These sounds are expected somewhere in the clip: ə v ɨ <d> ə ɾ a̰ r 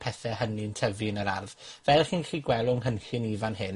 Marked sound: incorrect: n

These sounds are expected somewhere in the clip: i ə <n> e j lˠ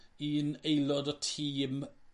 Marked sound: correct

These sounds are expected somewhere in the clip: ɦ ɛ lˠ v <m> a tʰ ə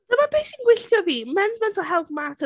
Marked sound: correct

